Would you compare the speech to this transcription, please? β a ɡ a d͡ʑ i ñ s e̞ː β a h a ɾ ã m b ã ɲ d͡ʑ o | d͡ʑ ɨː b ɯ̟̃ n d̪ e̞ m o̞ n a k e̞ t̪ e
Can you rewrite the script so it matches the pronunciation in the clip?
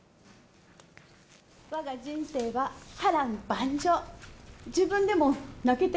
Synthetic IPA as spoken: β a ɡ a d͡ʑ ĩ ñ s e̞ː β a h a ɾ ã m b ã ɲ d͡ʑ o | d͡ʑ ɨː b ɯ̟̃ n d̪ e̞ m o̞ n a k e̞ t̪ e